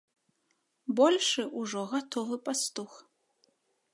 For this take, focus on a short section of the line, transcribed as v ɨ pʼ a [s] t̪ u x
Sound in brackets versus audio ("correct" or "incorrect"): correct